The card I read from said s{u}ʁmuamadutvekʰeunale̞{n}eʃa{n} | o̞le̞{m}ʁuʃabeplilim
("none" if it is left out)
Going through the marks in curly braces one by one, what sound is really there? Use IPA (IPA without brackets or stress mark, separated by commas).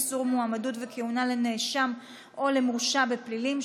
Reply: u, n, m, m